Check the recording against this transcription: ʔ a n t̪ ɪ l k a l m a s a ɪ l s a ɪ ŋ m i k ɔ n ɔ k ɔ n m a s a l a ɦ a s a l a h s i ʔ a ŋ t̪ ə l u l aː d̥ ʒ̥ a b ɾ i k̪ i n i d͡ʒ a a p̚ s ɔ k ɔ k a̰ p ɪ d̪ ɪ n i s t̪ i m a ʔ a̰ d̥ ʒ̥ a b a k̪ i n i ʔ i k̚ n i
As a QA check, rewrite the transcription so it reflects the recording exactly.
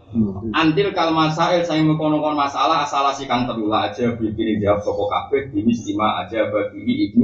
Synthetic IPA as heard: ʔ a n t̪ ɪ l k a l m a s a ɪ l s a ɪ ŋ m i k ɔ n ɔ k ɔ n m a s a l a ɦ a s a l a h s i k a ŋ t̪ ə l u l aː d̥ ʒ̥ a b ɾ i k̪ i n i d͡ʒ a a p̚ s ɔ k ɔ k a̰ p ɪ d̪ i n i s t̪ i m a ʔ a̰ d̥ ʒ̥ a b a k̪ i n i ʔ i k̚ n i